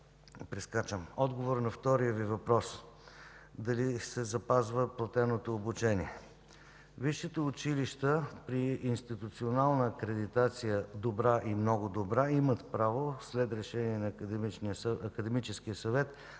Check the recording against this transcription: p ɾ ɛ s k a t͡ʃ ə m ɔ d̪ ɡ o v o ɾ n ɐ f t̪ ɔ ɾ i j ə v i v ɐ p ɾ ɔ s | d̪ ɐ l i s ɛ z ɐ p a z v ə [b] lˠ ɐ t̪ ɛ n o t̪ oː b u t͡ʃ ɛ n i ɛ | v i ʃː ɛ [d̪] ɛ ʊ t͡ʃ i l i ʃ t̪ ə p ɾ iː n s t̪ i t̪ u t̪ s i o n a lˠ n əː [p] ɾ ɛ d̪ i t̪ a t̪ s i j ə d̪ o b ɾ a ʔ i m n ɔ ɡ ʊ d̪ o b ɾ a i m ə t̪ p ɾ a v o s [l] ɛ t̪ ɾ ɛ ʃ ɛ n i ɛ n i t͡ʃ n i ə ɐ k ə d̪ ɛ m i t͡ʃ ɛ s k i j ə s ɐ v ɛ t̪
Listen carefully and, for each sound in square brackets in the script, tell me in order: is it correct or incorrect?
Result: incorrect, incorrect, incorrect, correct

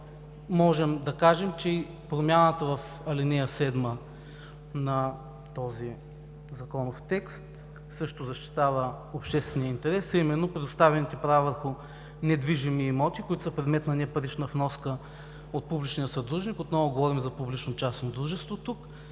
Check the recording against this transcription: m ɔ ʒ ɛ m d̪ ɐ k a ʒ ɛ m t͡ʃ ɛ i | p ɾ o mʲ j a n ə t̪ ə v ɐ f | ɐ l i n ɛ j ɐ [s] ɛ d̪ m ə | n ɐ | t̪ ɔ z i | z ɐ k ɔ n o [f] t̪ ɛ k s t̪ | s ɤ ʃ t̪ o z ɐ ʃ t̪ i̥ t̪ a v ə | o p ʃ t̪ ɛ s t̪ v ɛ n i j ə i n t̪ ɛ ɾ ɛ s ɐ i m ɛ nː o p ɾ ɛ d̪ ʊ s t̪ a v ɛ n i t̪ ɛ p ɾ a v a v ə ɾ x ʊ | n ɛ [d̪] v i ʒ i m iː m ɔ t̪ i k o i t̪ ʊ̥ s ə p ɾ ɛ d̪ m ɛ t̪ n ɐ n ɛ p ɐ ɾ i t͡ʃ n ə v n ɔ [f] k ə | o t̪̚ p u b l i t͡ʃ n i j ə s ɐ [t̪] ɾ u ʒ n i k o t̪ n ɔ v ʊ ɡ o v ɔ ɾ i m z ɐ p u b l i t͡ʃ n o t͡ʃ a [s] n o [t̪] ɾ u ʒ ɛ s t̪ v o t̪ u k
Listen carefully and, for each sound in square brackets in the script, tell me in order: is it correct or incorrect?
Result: correct, correct, correct, incorrect, incorrect, correct, incorrect

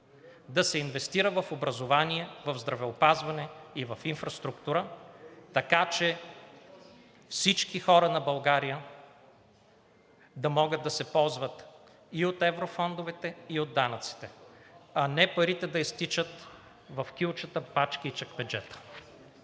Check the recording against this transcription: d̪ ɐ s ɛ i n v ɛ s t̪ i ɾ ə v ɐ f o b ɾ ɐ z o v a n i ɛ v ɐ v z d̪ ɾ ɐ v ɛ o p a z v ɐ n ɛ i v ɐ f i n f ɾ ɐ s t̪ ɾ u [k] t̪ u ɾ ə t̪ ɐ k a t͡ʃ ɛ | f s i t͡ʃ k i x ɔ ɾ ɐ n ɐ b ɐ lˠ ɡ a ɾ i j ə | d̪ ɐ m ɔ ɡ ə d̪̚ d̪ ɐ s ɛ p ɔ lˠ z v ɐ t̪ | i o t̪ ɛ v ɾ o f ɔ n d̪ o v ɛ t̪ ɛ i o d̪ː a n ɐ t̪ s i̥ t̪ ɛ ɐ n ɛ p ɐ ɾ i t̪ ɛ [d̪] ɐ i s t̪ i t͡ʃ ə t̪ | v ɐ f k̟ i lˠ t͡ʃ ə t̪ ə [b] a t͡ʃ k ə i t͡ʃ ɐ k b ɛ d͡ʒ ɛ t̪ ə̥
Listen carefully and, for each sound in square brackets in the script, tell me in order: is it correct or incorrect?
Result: correct, correct, incorrect

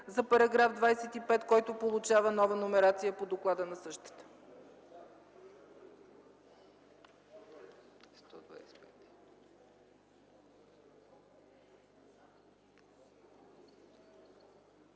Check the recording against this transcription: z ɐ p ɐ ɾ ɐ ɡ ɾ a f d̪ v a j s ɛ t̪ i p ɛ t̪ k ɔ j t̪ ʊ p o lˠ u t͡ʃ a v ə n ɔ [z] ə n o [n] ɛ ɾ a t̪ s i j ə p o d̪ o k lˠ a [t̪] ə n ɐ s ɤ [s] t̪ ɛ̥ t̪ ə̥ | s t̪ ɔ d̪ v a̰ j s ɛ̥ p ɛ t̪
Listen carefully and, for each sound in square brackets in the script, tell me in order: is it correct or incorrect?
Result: incorrect, incorrect, incorrect, incorrect

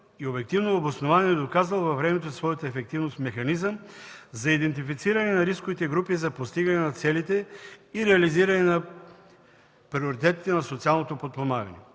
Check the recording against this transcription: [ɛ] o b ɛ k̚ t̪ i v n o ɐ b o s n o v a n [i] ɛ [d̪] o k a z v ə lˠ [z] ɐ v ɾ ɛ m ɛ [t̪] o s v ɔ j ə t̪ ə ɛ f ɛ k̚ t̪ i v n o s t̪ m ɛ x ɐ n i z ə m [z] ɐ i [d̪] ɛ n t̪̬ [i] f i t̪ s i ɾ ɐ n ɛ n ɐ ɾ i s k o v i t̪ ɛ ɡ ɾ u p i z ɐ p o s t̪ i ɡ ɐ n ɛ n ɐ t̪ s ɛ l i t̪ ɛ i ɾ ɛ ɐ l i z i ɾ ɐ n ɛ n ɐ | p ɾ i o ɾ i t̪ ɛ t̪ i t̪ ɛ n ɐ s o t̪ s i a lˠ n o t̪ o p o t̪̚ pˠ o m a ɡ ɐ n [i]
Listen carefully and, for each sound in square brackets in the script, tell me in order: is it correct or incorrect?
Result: incorrect, correct, correct, incorrect, correct, correct, correct, correct, incorrect

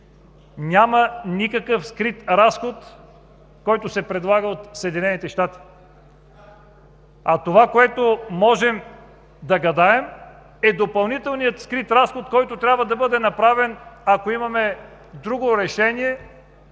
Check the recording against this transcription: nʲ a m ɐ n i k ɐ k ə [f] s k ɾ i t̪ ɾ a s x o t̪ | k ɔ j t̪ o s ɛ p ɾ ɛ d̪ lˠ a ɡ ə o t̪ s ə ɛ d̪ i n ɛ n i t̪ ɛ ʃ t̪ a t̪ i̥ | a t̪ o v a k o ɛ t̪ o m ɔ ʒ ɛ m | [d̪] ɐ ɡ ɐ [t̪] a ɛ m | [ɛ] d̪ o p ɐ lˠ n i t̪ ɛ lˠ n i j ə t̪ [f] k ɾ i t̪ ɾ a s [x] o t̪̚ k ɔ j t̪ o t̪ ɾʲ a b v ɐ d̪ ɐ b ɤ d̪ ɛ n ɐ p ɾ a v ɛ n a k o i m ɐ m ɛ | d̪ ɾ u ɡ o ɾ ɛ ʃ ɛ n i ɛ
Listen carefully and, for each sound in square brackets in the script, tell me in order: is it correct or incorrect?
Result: correct, correct, incorrect, correct, incorrect, correct

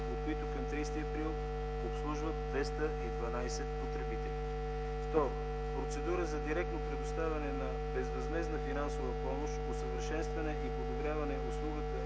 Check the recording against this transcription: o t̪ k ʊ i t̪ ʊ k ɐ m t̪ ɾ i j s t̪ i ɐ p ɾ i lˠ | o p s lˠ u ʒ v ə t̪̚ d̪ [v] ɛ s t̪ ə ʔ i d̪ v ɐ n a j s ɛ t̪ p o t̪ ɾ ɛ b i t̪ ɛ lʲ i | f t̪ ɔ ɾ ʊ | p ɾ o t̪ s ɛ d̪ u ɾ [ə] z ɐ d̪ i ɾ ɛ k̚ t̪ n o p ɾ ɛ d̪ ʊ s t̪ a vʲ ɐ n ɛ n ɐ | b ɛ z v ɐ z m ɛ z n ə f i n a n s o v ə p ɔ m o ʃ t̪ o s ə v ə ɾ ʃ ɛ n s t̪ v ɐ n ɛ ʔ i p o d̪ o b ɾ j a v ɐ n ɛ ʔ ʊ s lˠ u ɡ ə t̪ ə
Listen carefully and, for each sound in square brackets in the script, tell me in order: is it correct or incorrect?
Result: correct, correct

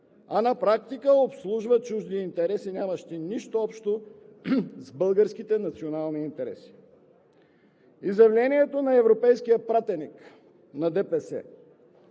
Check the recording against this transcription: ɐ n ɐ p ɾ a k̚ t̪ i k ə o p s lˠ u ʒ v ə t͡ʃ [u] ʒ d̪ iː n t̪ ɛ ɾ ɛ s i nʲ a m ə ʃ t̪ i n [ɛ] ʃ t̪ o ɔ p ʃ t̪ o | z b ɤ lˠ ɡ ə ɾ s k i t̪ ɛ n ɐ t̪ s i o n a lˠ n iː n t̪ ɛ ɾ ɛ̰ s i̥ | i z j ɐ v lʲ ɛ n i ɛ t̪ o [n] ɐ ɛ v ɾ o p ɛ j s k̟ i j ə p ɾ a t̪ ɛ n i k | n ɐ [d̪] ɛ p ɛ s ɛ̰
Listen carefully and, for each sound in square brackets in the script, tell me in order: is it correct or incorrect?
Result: correct, incorrect, correct, correct

